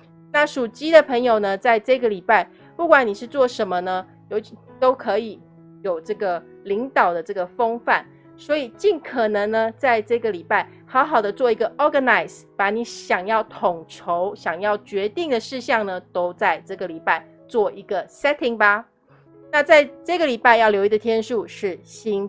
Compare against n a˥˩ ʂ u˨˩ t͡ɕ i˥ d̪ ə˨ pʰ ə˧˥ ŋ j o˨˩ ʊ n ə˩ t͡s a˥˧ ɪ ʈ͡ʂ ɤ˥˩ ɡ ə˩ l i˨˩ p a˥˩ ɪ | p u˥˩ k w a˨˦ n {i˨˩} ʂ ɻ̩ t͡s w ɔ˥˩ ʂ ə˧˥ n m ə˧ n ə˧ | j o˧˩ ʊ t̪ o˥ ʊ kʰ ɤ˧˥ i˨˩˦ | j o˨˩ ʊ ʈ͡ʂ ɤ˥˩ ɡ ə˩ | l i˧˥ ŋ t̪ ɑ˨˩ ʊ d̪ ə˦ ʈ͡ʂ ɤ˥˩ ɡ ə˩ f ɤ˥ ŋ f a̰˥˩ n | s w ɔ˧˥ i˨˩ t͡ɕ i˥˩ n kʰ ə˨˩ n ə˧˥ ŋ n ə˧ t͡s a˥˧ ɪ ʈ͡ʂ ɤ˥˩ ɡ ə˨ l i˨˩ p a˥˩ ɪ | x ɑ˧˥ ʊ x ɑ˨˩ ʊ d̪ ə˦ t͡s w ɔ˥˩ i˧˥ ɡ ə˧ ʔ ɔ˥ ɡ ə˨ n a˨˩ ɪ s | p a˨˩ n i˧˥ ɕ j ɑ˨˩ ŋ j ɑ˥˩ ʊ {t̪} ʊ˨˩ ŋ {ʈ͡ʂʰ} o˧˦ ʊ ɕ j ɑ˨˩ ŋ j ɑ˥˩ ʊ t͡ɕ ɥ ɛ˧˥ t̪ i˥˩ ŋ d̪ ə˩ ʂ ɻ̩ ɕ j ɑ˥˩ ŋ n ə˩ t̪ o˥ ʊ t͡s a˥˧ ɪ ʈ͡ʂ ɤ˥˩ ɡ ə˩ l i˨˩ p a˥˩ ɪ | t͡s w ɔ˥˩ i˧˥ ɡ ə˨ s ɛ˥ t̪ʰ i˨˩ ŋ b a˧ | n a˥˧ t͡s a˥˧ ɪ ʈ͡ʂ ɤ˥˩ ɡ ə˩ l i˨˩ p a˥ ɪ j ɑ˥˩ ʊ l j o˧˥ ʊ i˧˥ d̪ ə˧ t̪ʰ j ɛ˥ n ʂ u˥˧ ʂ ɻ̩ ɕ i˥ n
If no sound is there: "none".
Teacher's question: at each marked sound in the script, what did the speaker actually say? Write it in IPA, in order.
i˨˩, t̪ʰ, ʈ͡ʂʰ

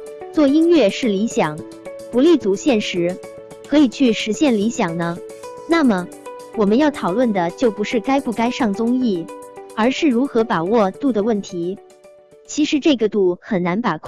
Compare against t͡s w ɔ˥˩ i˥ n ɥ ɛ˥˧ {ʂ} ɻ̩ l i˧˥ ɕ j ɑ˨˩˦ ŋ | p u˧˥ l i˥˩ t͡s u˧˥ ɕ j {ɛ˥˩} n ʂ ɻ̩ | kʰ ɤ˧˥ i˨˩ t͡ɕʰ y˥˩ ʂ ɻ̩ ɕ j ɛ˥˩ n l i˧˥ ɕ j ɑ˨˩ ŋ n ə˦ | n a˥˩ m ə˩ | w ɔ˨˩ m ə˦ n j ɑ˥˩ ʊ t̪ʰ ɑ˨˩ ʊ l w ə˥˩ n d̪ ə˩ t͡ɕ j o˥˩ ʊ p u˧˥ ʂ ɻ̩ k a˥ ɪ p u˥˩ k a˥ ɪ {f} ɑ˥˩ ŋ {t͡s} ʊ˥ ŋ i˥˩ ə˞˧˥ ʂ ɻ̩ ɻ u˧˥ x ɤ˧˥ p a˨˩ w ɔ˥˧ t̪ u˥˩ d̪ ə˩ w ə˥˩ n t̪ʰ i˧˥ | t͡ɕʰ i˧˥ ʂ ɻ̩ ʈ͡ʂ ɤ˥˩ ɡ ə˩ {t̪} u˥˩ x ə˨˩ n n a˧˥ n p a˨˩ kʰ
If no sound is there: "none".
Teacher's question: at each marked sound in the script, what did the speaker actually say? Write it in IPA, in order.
ʂ, ɛ˥˩, ʂ, t͡s, t̪

